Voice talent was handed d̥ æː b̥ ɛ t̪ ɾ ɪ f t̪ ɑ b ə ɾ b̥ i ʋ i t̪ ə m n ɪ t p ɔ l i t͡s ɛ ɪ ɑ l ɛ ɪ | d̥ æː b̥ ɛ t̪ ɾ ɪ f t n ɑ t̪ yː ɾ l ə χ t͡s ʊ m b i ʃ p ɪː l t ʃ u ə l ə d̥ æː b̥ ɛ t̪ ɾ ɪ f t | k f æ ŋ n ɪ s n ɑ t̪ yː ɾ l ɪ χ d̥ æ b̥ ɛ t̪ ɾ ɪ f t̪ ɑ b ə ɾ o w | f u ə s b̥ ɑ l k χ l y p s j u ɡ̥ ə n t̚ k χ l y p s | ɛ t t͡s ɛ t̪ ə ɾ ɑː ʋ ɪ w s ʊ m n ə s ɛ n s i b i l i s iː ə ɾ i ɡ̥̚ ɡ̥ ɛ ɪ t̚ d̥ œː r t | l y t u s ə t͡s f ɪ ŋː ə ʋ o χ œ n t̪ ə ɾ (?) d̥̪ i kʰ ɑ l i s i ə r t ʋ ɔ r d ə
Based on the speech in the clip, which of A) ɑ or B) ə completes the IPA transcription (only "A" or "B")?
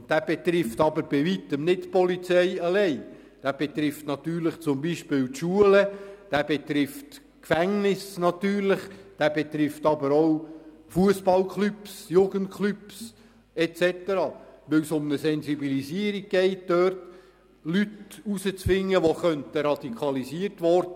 A